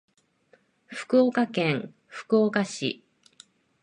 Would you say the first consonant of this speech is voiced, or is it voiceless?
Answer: voiceless